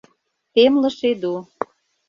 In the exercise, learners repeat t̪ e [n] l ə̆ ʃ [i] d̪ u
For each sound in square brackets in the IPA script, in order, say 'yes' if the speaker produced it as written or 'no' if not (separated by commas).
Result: no, no